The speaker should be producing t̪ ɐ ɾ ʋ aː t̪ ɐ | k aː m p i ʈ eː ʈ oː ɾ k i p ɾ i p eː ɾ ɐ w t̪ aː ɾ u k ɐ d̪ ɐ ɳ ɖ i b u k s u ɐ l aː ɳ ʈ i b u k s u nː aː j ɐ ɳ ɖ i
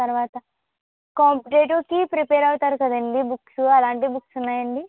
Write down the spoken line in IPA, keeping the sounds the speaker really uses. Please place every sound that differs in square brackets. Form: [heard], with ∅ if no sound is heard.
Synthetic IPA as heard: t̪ ɐ ɾ ʋ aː t̪ ɐ | k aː m p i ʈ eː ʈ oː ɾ k i p ɾ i p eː ɾ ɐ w t̪ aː ɾ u k ɐ d̪ ɐ ɳ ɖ i b u k s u ɐ l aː ɳ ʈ i b u k s u nː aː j ɐ ɳ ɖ i